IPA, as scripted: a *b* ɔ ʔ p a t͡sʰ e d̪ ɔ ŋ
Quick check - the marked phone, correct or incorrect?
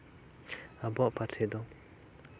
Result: correct